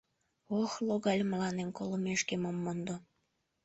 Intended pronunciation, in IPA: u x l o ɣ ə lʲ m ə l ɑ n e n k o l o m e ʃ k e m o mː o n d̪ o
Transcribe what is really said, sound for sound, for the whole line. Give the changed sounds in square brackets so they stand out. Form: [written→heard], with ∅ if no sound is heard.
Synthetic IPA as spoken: [u→o] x l o ɣ [ə→ɑ] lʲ m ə l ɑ n e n k o l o m e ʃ k e m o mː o n d̪ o